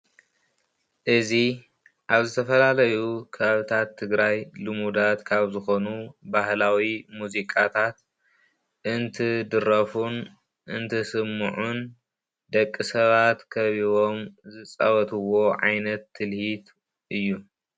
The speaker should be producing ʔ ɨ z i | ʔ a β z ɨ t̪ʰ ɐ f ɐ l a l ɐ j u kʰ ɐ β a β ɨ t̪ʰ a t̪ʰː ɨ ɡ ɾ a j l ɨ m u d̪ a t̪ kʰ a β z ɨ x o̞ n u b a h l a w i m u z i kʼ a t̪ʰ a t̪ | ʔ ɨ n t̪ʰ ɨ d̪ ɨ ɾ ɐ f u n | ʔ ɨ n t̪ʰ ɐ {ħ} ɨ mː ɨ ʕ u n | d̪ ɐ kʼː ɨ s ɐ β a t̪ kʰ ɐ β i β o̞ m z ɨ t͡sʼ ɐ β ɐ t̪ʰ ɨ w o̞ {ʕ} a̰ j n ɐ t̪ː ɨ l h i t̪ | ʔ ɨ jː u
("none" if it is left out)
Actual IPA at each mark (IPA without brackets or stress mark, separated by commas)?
s, ʕ